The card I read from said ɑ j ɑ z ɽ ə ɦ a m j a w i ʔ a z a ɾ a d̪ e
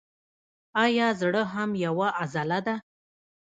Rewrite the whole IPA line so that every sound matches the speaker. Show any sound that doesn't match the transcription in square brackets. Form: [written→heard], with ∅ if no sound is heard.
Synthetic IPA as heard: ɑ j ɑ z ɽ ə ɦ a m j a w [i→a] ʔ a z a [ɾ→l] a d̪ [e→a]